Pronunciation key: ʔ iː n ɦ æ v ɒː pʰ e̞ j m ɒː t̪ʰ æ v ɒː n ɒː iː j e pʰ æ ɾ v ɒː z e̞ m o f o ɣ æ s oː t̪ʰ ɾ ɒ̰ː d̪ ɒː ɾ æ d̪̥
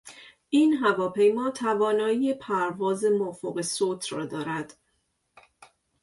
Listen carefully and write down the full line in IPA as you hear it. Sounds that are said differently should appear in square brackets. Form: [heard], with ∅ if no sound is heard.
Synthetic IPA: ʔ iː n ɦ æ v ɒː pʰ e̞ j m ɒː t̪ʰ æ v ɒː n ɒː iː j e pʰ æ ɾ v ɒː z e̞ m o f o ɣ [e] s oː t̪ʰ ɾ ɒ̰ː d̪ ɒː ɾ æ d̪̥